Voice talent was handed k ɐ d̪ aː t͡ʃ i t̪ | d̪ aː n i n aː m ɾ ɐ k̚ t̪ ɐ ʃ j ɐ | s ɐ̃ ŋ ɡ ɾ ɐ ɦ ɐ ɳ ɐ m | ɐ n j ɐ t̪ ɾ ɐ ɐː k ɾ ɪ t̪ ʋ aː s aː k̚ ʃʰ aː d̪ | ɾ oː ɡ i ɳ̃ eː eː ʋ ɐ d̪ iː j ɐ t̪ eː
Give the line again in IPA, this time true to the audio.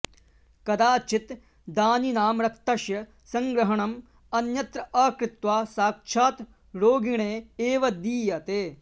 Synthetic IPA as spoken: k ɐ d̪ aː t͡ʃ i t̪ | d̪ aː n i n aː m ɾ ɐ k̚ t̪ ɐ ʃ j ɐ | s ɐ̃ ŋ ɡ ɾ ɐ ɦ ɐ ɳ ɐ m | ɐ n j ɐ t̪ ɾ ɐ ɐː k ɾ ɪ t̪ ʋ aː s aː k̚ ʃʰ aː t̪ | ɾ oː ɡ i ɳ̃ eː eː ʋ ɐ d̪ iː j ɐ t̪ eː

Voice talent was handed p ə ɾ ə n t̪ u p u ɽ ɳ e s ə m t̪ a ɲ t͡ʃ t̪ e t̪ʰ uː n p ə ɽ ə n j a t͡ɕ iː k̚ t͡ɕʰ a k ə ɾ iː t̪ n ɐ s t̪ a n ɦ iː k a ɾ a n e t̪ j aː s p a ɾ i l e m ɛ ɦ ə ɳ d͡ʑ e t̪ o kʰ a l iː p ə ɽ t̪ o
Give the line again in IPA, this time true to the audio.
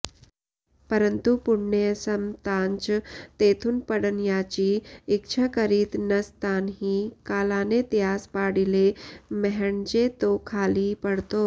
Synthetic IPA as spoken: p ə ɾ ə n t̪ u p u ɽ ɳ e s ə m t̪ a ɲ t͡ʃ t̪ e t̪ʰ uː n p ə ɽ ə n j a t͡ɕ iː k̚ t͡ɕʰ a k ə ɾ iː t̪ n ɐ s t̪ a n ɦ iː k a l a n e t̪ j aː s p a ɽ i l e m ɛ ɦ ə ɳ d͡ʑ e t̪ o kʰ a l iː p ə ɽ t̪ o

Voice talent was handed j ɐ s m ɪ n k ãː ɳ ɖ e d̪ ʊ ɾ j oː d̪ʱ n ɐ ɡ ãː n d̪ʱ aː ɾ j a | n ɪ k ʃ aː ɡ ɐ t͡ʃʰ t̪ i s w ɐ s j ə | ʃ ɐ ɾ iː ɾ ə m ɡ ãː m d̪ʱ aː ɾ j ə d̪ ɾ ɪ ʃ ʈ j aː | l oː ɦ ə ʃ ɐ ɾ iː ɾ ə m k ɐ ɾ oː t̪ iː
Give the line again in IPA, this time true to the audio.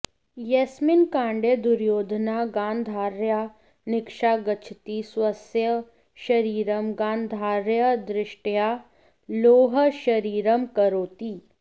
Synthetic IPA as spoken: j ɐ s m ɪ n k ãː ɳ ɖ e d̪ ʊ ɾ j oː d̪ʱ n a ɡ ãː n d̪ʱ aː ɾ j a | n ɪ k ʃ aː ɡ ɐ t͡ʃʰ t̪ i s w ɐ s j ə | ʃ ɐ ɾ iː ɾ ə m ɡ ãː n d̪ʱ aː ɾ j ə d̪ ɾ ɪ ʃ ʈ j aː | l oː ɦ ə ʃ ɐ ɾ iː ɾ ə m k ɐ ɾ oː t̪ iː

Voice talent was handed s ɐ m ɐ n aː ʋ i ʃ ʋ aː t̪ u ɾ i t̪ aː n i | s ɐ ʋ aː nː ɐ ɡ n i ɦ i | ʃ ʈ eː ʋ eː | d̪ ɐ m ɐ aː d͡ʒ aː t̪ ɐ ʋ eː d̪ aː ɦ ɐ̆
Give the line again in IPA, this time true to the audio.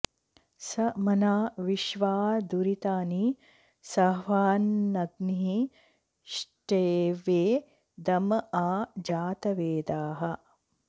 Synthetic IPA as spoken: s ɐ m ɐ n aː ʋ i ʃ ʋ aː d̪ u ɾ i t̪ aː n i | s ɐ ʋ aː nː ɐ ɡ n i ɦ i | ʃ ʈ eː ʋ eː | d̪ ɐ m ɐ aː d͡ʒ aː t̪ ɐ ʋ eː d̪ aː ɦ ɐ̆

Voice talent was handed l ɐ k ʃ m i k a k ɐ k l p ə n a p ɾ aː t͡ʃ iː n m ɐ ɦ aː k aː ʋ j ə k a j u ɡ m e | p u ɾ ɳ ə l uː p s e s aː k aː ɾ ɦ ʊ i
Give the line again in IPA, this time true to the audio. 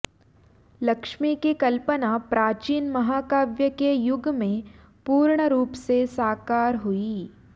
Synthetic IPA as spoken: l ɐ k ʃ m i k i k ɐ l p ə n a p ɾ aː t͡ʃ iː n m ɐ ɦ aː k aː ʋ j ə k e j ʊ ɡ m ẽ | p uː ɾ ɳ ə ɾ uː p s e s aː k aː ɾ ɦ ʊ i

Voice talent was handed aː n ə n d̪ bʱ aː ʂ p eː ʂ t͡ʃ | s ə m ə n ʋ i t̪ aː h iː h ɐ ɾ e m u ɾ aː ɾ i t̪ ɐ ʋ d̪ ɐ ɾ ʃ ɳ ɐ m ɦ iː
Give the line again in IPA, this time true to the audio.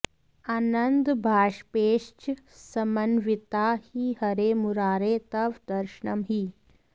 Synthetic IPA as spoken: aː n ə n d̪ bʱ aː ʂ p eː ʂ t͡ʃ | s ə m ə n ʋ i t̪ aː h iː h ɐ ɾ e m u ɾ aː ɾ e t̪ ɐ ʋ d̪ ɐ ɾ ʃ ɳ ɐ m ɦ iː

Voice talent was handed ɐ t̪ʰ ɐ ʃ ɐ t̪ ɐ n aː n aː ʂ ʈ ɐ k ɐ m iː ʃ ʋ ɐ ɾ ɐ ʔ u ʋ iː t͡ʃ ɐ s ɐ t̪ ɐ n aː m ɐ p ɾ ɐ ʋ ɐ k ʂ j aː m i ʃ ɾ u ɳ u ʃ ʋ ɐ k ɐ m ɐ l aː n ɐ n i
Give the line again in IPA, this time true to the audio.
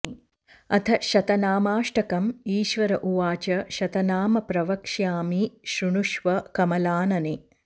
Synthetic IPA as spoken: ɐ t̪ʰ ɐ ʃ ɐ t̪ ɐ n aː m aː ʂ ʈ ɐ k ɐ m iː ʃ ʋ ɐ ɾ ɐ ʔ u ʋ aː t͡ʃ ɐ ʃ ɐ t̪ ɐ n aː m ɐ p ɾ ɐ ʋ ɐ k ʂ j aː m i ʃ ɾ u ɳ u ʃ ʋ ɐ k ɐ m ɐ l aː n ɐ n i

